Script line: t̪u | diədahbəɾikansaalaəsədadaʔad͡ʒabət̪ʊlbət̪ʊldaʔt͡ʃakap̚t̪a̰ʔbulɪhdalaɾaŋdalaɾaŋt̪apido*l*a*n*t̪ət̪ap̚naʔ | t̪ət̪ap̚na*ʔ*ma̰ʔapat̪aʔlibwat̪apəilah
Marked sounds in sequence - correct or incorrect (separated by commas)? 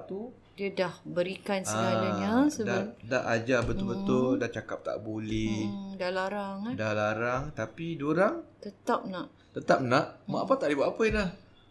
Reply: incorrect, incorrect, correct